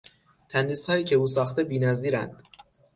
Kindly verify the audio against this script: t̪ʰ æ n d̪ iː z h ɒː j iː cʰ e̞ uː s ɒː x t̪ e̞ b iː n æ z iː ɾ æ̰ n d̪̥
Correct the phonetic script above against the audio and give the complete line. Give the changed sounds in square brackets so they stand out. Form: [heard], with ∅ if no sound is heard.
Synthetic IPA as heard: t̪ʰ æ n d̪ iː [s] h ɒː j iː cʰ e̞ uː s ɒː x t̪ e̞ b iː n æ z iː ɾ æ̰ n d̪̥